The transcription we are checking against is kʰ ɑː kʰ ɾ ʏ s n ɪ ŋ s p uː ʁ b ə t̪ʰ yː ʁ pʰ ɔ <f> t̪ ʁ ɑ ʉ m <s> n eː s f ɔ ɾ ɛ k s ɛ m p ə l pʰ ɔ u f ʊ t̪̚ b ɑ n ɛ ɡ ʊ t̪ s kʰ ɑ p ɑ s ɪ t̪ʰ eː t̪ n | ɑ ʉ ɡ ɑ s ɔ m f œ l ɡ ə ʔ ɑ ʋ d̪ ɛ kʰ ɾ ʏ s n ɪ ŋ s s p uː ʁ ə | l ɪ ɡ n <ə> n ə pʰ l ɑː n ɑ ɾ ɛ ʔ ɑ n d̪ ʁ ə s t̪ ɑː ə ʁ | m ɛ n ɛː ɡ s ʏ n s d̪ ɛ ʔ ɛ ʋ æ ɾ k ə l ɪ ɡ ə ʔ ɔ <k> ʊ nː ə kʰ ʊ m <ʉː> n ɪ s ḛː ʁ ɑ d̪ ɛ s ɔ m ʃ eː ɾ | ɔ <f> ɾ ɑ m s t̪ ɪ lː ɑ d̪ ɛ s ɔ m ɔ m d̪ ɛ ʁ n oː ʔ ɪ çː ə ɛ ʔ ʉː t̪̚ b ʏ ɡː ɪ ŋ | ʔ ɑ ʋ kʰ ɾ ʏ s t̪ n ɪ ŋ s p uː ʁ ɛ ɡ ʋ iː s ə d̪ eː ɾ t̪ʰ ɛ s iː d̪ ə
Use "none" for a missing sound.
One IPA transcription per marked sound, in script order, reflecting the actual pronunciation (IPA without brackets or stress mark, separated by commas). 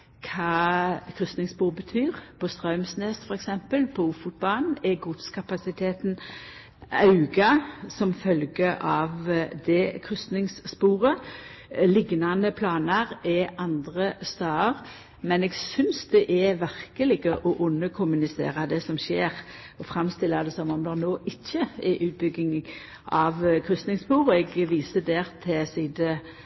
s, s, ɑ, ʔ, ʉ, f